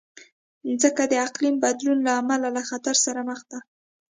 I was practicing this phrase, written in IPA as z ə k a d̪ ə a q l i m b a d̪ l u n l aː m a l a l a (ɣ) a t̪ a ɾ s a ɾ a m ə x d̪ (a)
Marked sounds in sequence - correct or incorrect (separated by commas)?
incorrect, correct